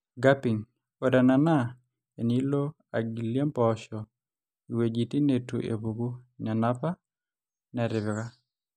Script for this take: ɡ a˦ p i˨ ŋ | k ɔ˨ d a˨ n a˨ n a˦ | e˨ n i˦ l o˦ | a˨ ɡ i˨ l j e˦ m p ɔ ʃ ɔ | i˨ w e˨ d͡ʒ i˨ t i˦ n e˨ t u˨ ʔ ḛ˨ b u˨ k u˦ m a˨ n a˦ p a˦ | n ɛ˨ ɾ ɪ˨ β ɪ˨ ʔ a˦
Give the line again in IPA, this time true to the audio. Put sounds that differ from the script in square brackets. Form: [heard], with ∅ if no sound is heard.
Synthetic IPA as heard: ɡ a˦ p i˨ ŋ | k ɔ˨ d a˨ n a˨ n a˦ | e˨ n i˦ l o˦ | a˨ ɡ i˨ l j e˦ m p ɔ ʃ ɔ | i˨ w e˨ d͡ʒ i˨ t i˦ n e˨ t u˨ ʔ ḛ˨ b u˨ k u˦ [ɲ] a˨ n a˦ p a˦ | n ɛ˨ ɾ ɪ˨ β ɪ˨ [k] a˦